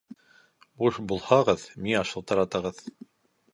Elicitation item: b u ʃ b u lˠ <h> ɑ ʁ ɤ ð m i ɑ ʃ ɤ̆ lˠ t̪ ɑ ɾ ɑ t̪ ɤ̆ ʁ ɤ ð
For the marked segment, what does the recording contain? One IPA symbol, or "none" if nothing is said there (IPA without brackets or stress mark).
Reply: h